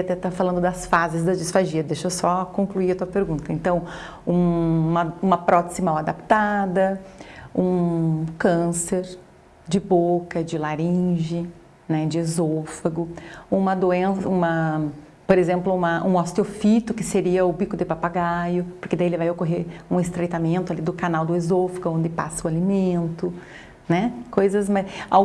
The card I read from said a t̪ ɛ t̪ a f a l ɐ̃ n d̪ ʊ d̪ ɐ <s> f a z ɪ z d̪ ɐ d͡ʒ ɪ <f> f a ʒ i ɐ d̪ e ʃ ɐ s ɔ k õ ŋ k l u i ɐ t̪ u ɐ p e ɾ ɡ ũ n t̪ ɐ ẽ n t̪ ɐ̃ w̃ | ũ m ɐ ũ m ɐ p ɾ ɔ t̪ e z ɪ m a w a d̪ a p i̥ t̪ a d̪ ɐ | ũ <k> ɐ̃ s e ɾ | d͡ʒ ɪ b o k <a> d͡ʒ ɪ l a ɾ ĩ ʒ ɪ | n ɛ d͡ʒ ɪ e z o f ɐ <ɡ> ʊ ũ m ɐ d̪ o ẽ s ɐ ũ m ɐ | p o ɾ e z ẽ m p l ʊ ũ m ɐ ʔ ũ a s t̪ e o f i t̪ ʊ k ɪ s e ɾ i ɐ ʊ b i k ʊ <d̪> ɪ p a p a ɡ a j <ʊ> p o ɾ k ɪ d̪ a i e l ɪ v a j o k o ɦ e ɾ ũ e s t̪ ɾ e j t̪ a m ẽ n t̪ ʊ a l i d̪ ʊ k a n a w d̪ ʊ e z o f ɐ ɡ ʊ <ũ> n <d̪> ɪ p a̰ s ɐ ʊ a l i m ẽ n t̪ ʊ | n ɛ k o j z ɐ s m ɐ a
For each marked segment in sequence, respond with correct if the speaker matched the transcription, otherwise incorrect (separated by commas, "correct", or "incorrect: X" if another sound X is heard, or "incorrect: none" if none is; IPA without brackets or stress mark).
correct, incorrect: s, correct, incorrect: ɐ, correct, correct, correct, incorrect: õ, correct